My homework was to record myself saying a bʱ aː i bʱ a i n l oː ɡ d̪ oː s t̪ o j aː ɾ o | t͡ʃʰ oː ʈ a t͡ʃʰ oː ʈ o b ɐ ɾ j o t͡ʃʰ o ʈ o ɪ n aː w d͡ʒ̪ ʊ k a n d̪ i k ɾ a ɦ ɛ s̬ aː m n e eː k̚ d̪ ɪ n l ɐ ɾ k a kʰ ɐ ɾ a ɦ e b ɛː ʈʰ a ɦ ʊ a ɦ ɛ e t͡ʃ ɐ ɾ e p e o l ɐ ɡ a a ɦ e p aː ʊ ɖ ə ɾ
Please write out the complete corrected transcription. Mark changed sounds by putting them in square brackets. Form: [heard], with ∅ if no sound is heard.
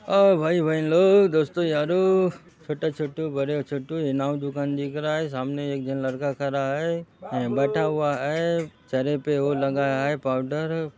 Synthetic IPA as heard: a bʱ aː i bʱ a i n l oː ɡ d̪ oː s t̪ o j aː ɾ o | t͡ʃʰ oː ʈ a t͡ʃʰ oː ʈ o b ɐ ɾ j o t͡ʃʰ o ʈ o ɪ n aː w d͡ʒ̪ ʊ k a n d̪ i k ɾ a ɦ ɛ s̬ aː m n e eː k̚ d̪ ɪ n l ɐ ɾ k a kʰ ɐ ɾ a ɦ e b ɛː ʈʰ a ɦ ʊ a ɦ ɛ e t͡ʃ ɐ ɾ e p e o l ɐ ɡ a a ɦ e p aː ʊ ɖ ə ɾ